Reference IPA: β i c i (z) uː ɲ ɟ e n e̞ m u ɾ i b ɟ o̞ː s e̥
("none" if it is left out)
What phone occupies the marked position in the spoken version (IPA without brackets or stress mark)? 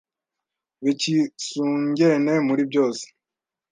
s